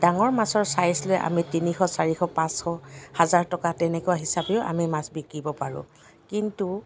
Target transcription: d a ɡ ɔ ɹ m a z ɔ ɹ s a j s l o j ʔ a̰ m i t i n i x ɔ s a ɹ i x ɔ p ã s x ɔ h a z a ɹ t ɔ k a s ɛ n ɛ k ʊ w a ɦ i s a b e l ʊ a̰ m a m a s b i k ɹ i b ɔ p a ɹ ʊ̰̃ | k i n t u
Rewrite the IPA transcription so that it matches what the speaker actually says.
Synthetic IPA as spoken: d a ŋ ɔ ɹ m a s ɔ ɹ s a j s l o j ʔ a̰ m i t i n i x ɔ s a ɹ i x ɔ p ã s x ɔ h a z a ɹ t ɔ k a t ɛ n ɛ k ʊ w a ɦ i s a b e ʊ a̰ m i m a s b i k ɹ i b ɔ p a ɹ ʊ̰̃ | k i n t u